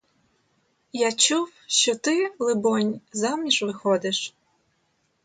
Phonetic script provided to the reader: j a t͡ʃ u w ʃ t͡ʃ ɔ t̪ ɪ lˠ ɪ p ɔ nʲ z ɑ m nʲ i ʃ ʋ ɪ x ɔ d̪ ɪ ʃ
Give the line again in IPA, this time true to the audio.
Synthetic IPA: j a t͡ʃ u w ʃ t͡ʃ ɔ t̪ ɪ lˠ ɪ b ɔ nʲ z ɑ m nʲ i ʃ ʋ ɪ x ɔ d̪ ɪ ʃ